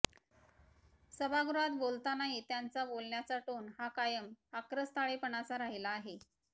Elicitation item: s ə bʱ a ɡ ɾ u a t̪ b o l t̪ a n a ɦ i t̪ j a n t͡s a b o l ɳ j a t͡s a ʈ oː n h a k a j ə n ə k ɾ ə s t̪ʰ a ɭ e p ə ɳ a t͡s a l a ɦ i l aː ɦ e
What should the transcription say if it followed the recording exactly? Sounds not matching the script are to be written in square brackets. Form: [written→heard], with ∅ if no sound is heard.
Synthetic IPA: s ə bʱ a ɡ ɾ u a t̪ b o l t̪ a n a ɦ i t̪ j a n t͡s a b o l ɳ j a t͡s a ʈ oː n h a k a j ə [n→m] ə k ɾ ə s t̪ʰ a ɭ e p ə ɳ a t͡s a [l→ɾ] a ɦ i l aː ɦ e

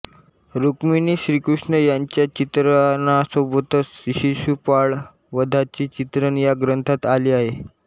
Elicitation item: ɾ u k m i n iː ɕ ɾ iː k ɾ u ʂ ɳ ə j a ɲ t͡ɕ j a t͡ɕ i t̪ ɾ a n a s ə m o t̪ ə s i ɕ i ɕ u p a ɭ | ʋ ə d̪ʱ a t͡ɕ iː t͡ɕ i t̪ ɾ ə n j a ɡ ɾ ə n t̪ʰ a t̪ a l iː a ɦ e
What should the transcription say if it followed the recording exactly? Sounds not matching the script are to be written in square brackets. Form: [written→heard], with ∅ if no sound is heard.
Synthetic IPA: ɾ u k m i n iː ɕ ɾ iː k ɾ u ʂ ɳ ə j a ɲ t͡ɕ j a t͡ɕ i t̪ ɾ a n a s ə [m→b] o t̪ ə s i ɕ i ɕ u p a ɭ | ʋ ə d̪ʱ a t͡ɕ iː t͡ɕ i t̪ ɾ ə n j a ɡ ɾ ə n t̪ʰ a t̪ a l iː a ɦ e

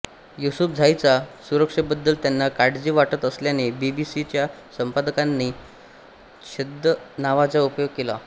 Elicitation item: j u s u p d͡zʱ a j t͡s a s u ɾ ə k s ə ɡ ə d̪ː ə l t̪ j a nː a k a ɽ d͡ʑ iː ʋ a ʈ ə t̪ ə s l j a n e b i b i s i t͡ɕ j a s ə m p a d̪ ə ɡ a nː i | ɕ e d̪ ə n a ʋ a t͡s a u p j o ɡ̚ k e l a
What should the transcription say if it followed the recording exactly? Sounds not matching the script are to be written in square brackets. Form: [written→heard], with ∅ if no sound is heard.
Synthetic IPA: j u s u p d͡zʱ a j t͡s a s u ɾ ə k [s→ʂ] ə [ɡ→b] ə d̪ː ə l t̪ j a nː a k a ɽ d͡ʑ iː ʋ a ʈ ə t̪ ə s l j a n e b i b i s i t͡ɕ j a s ə m p a d̪ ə [ɡ→k] a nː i | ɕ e d̪ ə n a ʋ a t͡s a u p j o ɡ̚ k e l a

